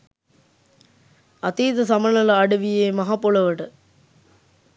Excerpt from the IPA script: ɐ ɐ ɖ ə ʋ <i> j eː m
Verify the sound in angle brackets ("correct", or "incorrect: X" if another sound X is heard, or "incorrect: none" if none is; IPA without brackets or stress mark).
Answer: correct